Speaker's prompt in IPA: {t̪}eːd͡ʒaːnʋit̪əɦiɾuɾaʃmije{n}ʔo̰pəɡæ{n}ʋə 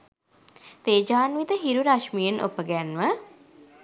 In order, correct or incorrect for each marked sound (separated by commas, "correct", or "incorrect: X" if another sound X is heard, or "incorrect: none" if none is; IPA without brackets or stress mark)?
correct, correct, correct